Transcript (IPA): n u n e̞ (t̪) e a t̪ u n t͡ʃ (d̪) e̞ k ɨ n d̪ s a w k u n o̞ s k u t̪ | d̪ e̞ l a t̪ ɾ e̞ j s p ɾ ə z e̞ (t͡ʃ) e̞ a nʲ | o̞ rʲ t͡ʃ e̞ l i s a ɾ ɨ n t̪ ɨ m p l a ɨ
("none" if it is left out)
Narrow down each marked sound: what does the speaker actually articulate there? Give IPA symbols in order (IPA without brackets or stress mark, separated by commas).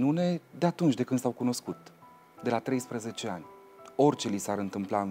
d̪, d̪, t͡ʃ